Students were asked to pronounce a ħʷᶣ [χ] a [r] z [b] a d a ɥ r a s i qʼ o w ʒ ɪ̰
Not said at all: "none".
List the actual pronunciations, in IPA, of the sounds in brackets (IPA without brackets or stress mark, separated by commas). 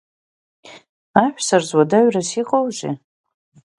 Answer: s, r, w